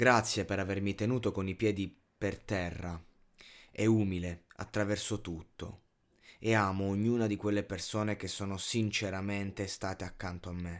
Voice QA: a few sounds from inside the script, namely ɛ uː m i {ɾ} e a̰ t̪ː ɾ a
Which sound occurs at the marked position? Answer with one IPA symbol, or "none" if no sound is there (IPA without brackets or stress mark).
l